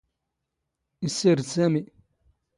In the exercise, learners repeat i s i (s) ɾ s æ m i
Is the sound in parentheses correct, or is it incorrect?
incorrect